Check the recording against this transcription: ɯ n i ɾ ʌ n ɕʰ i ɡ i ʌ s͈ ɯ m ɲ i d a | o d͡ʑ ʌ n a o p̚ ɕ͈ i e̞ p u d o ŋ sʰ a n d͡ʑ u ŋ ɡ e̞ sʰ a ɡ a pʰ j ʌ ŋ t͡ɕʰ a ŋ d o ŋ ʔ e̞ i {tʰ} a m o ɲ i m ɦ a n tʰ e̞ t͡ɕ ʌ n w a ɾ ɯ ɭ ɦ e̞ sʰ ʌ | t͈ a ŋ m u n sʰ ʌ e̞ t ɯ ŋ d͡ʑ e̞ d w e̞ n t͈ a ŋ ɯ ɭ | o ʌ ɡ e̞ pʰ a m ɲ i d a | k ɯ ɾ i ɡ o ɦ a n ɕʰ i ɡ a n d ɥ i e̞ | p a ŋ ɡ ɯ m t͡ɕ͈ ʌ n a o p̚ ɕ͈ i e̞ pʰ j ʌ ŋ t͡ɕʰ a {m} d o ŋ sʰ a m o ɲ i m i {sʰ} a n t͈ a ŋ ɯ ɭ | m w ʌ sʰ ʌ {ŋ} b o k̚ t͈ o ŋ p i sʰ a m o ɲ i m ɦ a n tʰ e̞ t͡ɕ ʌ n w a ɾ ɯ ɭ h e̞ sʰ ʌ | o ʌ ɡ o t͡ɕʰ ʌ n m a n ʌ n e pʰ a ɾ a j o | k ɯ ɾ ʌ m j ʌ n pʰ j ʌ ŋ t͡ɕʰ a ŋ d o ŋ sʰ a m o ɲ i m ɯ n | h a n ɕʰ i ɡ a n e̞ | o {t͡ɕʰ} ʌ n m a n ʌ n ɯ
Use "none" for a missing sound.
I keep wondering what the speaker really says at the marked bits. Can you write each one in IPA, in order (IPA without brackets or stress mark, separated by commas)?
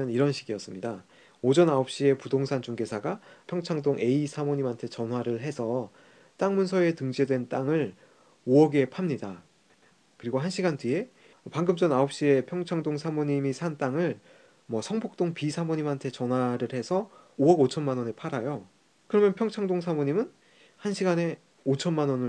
sʰ, ŋ, sʰ, ŋ, t͡ɕʰ